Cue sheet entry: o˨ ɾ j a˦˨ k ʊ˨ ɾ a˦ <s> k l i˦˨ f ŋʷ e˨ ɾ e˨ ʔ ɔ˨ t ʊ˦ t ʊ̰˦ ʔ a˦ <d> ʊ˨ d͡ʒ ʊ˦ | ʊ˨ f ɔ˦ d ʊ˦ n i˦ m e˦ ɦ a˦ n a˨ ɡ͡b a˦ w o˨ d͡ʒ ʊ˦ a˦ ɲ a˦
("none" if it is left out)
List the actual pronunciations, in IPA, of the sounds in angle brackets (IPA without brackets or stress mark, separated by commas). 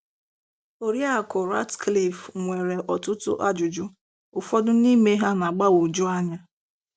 t, d͡ʒ